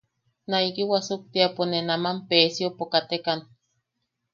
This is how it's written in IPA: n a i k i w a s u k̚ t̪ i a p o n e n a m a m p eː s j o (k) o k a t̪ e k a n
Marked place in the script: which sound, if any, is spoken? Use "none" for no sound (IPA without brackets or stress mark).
p